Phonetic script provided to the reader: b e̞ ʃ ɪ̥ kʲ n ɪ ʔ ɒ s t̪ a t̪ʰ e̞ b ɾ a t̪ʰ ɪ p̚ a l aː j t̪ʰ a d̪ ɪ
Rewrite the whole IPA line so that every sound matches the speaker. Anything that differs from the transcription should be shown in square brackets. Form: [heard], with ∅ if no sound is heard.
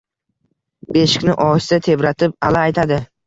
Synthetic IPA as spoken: b e̞ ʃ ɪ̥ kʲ n ɪ ʔ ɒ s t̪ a t̪ʰ e̞ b ɾ a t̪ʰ ɪ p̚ a l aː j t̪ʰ a d̪ ɪ